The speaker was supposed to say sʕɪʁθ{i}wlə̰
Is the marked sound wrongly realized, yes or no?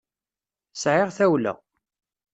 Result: yes